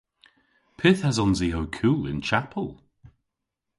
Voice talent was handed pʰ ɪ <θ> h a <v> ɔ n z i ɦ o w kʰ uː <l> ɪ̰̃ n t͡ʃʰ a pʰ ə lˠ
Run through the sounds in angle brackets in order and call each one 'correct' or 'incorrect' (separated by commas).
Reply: correct, incorrect, correct